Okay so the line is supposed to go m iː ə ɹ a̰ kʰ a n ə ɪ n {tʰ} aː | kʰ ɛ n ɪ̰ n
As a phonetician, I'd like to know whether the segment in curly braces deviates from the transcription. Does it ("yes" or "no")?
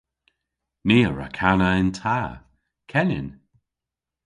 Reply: no